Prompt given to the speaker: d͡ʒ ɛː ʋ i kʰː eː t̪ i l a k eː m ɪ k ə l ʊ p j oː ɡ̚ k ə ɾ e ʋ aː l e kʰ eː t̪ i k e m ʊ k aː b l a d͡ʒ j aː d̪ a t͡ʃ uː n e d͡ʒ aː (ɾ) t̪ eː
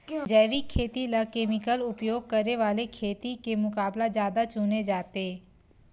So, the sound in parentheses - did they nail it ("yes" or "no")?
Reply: no